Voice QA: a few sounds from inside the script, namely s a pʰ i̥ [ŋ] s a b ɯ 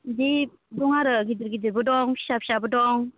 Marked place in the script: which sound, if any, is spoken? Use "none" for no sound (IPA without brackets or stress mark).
none